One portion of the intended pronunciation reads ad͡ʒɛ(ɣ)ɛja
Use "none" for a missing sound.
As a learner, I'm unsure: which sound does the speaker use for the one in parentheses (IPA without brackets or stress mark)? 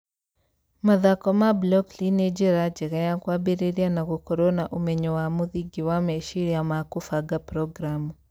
ɣ